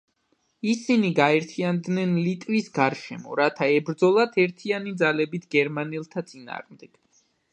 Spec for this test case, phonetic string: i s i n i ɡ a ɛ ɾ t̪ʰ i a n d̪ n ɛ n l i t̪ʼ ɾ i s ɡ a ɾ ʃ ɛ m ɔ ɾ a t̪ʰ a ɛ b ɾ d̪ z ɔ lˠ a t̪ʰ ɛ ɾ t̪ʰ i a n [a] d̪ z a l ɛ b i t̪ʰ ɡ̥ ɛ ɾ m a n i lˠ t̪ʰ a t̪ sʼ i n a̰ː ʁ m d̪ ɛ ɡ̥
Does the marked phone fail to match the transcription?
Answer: yes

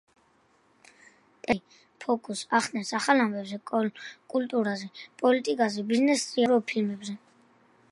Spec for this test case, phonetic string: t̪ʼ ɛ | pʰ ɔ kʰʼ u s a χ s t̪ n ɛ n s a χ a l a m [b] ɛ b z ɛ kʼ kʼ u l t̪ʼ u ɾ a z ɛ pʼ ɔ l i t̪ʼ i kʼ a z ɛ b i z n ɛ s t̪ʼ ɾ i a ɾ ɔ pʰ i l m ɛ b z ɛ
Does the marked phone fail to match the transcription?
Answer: no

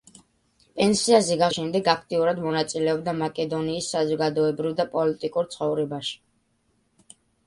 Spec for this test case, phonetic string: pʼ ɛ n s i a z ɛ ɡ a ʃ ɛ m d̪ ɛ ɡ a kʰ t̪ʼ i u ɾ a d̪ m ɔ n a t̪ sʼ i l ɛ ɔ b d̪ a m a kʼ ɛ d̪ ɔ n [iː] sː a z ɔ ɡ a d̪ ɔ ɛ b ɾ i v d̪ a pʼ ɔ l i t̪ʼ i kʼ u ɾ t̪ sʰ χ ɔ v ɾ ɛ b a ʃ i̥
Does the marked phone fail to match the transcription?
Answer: no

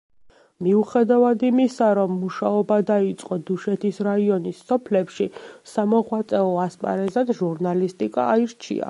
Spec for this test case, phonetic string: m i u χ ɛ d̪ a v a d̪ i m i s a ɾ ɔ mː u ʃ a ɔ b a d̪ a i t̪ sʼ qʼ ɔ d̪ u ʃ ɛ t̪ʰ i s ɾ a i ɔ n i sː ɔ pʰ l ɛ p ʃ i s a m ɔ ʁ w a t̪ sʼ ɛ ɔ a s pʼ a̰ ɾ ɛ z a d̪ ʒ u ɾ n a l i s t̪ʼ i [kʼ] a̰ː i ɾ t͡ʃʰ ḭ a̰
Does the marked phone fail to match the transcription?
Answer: no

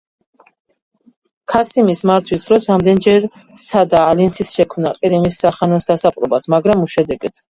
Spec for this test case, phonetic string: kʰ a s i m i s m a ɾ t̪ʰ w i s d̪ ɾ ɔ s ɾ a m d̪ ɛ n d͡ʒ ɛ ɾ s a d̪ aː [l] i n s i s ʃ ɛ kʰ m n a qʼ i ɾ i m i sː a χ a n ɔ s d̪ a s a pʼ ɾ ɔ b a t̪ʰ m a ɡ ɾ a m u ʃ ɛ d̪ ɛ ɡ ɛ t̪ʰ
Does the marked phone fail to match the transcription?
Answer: no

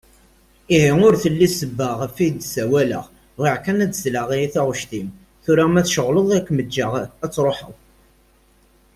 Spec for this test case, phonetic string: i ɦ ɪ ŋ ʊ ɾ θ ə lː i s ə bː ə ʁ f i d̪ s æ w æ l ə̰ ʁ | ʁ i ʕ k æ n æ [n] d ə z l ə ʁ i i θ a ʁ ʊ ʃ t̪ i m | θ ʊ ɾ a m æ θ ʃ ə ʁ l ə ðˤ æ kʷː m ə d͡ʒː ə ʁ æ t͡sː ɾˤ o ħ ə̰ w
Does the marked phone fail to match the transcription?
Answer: yes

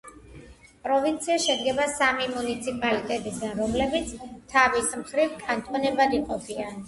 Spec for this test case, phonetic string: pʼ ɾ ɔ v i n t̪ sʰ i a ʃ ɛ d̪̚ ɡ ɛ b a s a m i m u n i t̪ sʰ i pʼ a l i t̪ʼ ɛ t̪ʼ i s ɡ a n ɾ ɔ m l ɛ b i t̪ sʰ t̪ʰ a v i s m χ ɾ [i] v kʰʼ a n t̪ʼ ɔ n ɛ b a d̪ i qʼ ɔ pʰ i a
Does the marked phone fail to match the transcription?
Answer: no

